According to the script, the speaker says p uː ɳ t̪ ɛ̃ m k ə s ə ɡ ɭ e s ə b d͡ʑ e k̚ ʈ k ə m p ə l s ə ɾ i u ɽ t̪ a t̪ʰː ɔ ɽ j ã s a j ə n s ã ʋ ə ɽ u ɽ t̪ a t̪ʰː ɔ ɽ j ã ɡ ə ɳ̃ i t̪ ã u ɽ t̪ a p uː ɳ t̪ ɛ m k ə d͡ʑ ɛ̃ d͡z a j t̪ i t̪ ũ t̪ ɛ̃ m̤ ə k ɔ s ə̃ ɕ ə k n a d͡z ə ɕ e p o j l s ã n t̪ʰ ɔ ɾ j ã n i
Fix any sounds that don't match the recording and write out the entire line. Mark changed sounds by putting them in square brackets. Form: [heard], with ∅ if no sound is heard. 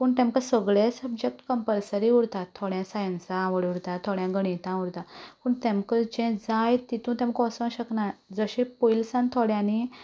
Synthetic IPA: p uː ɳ t̪ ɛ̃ m k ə s ə ɡ ɭ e s ə b d͡ʑ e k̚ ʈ k ə m p ə l s ə ɾ i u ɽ t̪ a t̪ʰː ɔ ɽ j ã s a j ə n s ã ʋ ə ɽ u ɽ t̪ a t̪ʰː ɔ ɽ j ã ɡ ə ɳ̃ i t̪ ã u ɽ t̪ a p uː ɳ t̪ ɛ m k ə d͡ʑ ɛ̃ d͡z a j t̪ i t̪ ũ t̪ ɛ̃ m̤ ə k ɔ s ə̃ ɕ ə k n a d͡z ə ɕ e p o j l s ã n t̪ʰ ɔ [ɽ] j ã n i